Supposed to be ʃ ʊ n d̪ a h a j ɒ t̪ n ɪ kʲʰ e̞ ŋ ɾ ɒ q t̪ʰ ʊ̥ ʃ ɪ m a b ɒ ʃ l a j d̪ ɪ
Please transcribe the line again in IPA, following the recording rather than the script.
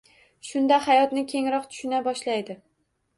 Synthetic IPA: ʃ ʊ n d̪ a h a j ɒ t̪ n ɪ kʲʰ e̞ ŋ ɾ ɒ q t̪ʰ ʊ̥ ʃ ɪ n a b ɒ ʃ l a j d̪ ɪ